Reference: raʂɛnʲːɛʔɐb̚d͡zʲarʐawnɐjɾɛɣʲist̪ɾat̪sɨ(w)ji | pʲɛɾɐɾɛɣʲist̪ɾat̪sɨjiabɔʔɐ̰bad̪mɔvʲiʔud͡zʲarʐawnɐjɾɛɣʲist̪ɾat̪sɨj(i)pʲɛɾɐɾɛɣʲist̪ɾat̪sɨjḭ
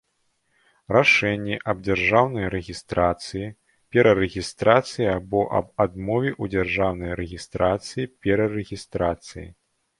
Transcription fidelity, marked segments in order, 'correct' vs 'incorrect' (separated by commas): incorrect, correct